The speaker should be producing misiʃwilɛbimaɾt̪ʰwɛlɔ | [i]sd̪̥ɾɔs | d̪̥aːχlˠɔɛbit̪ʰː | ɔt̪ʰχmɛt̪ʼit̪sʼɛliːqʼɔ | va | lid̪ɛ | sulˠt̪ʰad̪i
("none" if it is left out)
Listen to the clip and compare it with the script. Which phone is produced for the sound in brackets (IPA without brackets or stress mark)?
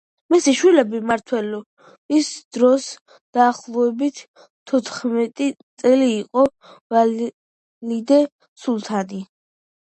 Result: i